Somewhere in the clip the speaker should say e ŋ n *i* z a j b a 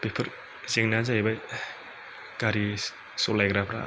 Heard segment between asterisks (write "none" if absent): a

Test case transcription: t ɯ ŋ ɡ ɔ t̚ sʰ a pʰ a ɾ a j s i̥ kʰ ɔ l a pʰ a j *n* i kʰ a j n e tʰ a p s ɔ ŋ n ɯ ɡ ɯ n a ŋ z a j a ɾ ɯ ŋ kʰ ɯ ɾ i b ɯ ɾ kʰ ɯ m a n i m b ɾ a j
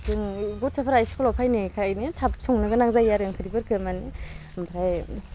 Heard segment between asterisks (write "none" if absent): n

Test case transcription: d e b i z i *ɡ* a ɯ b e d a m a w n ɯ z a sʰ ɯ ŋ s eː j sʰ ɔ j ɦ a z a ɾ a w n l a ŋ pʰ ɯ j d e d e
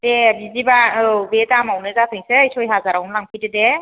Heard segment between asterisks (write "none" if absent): b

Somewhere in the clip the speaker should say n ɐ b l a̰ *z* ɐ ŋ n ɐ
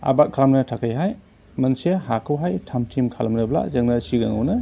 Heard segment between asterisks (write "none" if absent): z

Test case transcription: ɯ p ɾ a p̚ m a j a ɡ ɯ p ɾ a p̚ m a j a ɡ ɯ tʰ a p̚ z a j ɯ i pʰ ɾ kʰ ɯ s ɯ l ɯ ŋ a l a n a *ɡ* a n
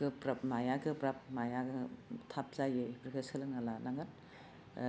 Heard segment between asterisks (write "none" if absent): ŋ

